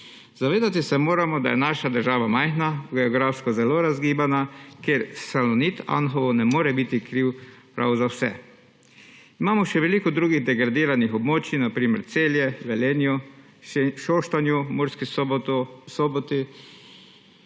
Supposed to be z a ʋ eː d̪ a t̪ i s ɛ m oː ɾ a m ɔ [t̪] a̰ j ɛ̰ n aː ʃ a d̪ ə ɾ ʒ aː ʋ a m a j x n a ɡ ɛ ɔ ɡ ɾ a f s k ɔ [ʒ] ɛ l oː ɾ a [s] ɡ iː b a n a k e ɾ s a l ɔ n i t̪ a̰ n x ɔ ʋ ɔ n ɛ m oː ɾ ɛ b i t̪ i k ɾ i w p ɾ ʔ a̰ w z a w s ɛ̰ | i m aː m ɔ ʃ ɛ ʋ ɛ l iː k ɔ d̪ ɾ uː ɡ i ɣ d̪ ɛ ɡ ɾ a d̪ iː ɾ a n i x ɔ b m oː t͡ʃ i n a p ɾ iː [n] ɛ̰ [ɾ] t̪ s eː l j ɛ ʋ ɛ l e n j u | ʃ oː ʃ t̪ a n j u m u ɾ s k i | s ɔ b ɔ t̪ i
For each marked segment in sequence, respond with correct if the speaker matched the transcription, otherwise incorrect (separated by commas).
incorrect, incorrect, incorrect, incorrect, correct